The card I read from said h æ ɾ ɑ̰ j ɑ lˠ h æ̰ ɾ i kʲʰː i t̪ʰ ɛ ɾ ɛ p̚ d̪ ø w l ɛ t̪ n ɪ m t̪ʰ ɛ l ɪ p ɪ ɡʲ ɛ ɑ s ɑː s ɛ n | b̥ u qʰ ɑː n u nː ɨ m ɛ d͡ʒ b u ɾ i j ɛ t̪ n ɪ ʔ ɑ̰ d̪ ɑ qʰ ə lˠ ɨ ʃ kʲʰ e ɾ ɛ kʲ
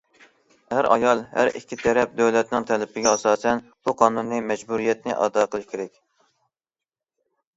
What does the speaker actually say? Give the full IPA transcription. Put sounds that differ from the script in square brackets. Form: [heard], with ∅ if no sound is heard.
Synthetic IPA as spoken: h æ ɾ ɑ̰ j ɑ lˠ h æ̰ ɾ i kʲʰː i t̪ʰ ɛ ɾ ɛ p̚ d̪ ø w l ɛ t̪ n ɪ [ŋ] t̪ʰ ɛ l ɪ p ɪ ɡʲ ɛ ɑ s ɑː s ɛ n | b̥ u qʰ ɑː n u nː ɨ m ɛ d͡ʒ b u ɾ i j ɛ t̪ n ɪ ʔ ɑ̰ d̪ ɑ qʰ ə lˠ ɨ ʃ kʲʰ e ɾ ɛ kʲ